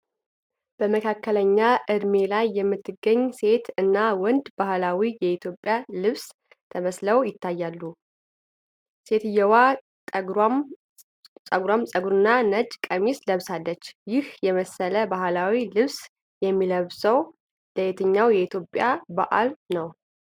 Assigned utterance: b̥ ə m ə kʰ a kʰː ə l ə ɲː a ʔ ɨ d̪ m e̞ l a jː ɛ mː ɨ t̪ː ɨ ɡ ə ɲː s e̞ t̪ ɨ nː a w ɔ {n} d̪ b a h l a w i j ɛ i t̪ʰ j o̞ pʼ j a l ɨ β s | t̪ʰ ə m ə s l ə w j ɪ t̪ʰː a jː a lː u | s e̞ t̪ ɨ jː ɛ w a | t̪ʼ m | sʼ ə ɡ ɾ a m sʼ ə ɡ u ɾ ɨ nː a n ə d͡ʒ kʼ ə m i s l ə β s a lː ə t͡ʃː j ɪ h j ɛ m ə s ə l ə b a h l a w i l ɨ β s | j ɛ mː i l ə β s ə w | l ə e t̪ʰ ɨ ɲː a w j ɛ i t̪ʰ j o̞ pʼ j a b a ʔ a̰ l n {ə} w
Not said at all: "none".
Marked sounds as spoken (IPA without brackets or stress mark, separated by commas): n, ə